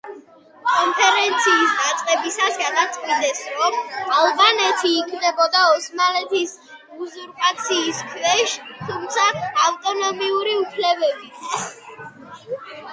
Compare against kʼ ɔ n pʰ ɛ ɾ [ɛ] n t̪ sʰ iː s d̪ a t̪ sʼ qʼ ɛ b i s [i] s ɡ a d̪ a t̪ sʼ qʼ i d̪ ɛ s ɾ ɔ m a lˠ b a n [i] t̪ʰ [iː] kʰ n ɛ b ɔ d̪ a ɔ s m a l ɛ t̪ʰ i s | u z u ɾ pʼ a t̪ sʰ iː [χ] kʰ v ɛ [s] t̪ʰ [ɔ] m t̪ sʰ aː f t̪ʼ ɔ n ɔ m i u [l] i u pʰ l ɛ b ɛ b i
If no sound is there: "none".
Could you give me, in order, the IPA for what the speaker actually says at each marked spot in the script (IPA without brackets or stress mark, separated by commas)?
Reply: ɛ, a, ɛ, iː, s, ʃ, u, ɾ